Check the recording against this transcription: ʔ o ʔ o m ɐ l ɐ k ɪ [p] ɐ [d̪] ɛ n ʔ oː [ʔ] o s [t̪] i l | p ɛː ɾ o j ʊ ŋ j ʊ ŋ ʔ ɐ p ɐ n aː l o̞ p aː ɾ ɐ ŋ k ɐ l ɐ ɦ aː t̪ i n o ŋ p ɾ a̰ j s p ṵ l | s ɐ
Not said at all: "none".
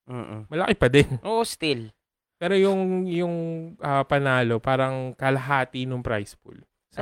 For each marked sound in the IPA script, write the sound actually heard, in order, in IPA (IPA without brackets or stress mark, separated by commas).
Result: p, d̪, ʔ, t̪